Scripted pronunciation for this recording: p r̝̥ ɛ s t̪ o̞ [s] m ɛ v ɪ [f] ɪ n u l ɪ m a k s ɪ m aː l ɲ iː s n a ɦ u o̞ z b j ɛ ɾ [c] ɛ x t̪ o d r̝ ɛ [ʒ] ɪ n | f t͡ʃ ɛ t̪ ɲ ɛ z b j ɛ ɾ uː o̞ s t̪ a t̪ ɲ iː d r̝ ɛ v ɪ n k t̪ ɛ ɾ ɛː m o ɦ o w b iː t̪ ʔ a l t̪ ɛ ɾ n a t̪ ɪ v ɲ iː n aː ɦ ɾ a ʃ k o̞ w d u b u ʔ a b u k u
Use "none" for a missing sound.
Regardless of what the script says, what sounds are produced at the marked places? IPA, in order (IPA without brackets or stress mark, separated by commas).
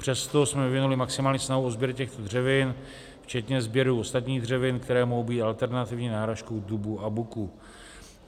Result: s, v, c, v